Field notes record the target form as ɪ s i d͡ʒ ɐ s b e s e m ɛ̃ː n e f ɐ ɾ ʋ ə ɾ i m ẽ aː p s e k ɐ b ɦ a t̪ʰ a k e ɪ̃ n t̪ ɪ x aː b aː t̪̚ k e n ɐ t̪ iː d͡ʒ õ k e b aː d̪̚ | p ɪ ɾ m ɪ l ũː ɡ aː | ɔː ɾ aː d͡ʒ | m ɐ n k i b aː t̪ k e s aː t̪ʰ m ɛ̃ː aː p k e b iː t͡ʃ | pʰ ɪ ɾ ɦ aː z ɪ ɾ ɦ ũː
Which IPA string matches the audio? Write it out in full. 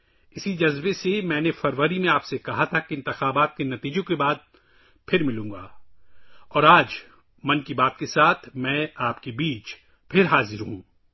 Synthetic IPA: ɪ s i d͡ʒ ɐ z b e s e m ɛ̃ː n e f ɐ ɾ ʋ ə ɾ i m ẽ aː p s e k ɐ ɦ a t̪ʰ a k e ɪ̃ n t̪ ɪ x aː b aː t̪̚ k e n ɐ t̪ iː d͡ʒ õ k e b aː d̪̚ | pʰ ɪ ɾ m ɪ l ũː ɡ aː | ɔː ɾ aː d͡ʒ | m ɐ n k i b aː t̪ k e s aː t̪ʰ m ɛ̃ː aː p k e b iː t͡ʃ | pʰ ɪ ɾ ɦ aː z ɪ ɾ ɦ ũː